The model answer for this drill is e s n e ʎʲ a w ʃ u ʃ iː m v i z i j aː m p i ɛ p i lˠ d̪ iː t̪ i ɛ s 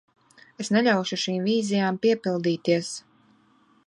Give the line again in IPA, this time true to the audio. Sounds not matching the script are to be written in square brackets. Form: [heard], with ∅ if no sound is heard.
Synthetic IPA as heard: e s n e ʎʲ a w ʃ u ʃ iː m v [iː] z i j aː m p i ɛ p i lˠ d̪ iː t̪ i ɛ s